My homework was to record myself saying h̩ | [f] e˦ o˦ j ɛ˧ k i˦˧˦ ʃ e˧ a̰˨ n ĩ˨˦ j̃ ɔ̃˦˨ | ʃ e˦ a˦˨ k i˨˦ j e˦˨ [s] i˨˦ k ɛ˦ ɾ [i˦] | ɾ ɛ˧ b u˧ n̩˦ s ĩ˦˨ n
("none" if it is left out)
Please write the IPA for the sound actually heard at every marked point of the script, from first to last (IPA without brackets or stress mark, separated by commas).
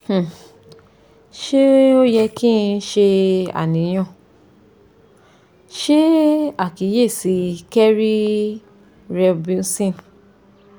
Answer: ʃ, s, i˦